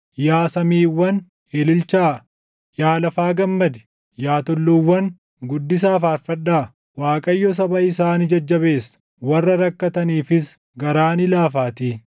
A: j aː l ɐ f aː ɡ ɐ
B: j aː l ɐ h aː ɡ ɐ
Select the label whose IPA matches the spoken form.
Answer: A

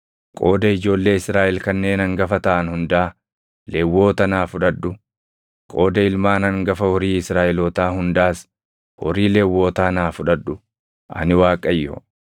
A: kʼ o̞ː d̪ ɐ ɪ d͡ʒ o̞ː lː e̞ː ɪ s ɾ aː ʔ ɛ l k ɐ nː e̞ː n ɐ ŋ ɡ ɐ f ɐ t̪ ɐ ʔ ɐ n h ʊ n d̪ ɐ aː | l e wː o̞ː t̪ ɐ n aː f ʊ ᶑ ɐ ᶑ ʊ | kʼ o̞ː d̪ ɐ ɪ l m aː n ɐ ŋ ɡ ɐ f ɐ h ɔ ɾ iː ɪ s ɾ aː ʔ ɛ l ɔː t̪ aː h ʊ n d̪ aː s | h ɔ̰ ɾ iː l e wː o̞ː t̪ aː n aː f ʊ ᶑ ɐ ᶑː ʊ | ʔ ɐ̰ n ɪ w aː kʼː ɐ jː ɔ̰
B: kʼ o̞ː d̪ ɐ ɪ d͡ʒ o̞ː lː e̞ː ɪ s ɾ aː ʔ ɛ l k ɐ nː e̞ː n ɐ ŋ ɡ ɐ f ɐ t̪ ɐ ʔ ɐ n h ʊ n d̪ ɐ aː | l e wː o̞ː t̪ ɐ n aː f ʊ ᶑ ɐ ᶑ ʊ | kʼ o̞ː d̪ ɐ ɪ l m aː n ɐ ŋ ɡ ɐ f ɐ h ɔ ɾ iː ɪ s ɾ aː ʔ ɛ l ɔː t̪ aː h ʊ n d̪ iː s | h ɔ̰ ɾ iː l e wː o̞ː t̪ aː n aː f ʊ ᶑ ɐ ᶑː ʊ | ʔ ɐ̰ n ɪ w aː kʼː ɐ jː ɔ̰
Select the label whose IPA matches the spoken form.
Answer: A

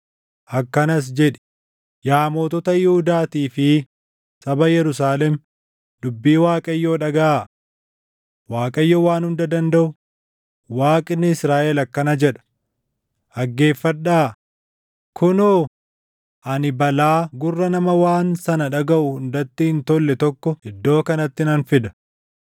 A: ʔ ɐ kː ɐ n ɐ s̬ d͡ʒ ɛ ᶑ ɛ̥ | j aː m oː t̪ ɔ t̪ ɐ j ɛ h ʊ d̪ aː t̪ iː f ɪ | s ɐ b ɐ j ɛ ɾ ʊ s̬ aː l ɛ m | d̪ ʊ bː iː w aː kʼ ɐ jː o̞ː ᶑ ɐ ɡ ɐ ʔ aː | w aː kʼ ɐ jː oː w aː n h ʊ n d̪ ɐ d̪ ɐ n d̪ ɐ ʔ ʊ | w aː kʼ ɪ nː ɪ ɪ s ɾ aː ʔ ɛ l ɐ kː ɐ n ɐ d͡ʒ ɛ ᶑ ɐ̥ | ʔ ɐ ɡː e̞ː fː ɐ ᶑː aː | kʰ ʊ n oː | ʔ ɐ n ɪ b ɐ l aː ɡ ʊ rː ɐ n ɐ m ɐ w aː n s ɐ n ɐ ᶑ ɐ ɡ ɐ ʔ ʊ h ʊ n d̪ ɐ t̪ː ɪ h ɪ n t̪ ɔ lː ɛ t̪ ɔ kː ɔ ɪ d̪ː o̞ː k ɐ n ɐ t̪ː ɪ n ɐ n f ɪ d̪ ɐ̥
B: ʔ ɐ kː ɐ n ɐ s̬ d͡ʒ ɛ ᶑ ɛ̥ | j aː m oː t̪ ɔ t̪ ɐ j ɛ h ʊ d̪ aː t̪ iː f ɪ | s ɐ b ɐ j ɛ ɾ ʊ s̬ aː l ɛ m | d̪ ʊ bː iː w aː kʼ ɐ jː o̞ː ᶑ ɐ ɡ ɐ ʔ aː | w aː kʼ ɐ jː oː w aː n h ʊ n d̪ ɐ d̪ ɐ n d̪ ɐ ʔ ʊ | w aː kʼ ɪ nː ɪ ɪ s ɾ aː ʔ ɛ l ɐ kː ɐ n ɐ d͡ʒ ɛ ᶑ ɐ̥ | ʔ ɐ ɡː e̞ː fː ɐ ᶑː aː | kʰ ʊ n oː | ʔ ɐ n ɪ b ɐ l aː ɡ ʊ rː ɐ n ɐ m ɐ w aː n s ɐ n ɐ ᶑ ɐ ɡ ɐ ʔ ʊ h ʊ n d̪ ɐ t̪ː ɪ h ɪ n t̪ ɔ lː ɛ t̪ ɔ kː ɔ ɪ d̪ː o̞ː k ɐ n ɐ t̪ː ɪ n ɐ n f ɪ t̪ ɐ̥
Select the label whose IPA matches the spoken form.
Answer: A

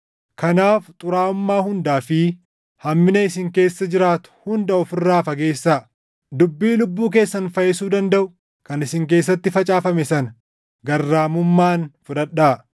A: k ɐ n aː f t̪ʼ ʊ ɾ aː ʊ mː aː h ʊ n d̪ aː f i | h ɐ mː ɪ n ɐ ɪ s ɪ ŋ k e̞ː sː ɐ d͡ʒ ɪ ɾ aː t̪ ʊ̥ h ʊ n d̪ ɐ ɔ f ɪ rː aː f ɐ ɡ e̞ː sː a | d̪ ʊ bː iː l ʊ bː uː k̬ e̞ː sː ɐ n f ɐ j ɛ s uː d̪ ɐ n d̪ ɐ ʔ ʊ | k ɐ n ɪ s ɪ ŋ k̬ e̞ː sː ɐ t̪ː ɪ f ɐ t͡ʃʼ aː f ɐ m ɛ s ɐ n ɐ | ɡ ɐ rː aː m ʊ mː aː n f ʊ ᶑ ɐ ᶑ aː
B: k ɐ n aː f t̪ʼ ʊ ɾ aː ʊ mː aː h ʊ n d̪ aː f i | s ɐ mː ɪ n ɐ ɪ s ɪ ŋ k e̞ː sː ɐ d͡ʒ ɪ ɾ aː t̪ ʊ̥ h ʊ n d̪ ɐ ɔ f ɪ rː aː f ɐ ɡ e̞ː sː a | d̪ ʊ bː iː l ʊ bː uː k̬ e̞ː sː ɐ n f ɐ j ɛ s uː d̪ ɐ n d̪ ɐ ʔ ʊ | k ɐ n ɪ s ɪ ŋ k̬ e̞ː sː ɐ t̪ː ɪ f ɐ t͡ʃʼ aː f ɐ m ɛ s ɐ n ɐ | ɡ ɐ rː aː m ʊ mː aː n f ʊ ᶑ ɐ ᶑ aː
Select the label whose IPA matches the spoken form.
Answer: A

